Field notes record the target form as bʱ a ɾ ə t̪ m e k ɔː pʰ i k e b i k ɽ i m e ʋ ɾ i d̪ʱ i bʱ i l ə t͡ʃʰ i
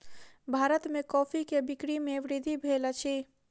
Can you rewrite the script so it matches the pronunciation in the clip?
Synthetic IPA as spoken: bʱ a ɾ ə t̪ m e k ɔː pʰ i k e b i k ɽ i m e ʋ ɾ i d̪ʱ i bʱ e l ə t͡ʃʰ i